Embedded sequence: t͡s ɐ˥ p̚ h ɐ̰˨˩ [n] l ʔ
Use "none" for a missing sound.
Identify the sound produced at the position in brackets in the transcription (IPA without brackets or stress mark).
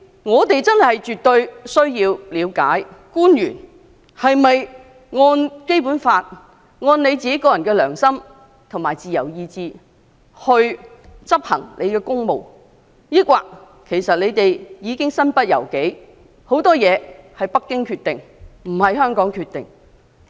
ŋ